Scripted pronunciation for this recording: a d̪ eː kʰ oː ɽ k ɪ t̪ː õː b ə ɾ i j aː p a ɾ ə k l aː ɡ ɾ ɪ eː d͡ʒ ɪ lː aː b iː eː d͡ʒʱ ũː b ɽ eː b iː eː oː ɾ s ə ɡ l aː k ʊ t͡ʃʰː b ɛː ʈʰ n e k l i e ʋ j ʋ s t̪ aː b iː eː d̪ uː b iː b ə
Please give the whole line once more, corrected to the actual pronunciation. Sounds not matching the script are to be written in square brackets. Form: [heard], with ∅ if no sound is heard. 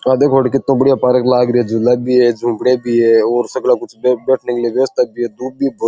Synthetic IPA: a d̪ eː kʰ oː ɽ k ɪ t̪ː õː b ə [ɽ] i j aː p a ɾ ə k l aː ɡ ɾ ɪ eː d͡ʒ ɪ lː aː b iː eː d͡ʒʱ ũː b ɽ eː b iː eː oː ɾ s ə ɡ l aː k ʊ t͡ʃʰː b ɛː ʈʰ n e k l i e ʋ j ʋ s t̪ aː b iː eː d̪ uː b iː b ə